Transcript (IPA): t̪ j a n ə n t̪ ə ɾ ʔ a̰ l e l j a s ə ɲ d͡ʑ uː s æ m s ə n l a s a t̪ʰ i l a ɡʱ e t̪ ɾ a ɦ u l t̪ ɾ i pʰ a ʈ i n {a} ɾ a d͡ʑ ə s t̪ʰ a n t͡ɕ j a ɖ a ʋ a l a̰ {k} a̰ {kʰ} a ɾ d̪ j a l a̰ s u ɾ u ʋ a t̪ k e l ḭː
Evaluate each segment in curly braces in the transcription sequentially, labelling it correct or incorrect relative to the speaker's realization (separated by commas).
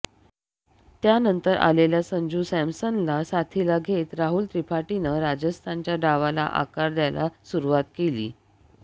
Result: incorrect, incorrect, incorrect